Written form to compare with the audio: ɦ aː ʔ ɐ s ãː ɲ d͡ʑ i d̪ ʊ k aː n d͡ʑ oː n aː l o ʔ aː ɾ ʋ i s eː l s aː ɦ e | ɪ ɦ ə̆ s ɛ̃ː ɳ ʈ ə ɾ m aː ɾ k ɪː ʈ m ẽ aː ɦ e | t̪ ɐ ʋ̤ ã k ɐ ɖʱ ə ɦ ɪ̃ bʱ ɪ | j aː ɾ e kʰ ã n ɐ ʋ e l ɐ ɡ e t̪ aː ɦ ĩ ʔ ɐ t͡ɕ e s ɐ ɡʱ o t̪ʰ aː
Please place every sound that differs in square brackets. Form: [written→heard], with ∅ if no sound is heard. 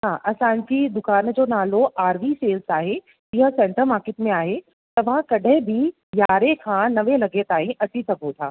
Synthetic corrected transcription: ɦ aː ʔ ɐ s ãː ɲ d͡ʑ i d̪ ʊ k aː n d͡ʑ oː n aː l o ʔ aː ɾ ʋ i s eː l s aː ɦ e | ɪ ɦ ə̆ s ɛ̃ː ɳ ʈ ə ɾ m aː ɾ k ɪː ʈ m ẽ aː ɦ e | t̪ ɐ ʋ̤ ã k ɐ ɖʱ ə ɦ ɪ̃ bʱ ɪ | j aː ɾ e kʰ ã n ɐ ʋ e l ɐ ɡ e t̪ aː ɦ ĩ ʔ ɐ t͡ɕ [e→i] s ɐ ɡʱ o t̪ʰ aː